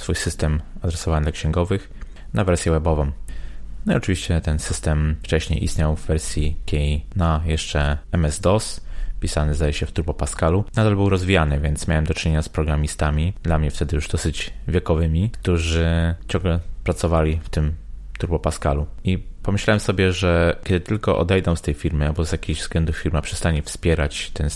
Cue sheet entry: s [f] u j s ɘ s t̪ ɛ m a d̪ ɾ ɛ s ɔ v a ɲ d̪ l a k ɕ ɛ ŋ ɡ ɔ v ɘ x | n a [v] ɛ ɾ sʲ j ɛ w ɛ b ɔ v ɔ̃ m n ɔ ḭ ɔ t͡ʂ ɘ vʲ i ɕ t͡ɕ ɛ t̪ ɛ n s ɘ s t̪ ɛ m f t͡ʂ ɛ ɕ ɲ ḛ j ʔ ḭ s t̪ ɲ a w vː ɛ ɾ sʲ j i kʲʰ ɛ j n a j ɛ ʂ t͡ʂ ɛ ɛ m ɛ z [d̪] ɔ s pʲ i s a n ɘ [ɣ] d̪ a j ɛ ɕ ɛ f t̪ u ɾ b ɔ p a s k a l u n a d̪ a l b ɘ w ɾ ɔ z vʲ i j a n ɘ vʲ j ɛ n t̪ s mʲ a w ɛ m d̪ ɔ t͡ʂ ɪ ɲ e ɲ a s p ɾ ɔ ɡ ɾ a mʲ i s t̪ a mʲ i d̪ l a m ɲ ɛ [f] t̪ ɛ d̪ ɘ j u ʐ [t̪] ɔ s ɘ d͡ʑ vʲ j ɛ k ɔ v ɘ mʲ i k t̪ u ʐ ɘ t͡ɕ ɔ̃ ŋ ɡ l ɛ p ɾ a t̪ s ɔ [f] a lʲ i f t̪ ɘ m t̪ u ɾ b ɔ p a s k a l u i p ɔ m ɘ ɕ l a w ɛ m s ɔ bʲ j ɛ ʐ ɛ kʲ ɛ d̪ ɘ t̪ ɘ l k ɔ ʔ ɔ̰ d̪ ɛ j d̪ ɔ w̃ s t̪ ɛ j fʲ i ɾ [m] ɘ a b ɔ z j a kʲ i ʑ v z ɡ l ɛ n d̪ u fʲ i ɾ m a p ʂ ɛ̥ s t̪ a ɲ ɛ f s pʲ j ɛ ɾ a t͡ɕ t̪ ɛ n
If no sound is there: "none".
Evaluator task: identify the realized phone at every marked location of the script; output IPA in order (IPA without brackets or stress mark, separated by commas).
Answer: f, v, d̪, z, f, d̪, v, m